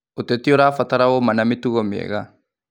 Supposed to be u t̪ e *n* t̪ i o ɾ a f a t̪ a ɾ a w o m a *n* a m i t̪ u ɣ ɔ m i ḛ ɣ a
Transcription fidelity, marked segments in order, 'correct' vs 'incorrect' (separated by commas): incorrect, correct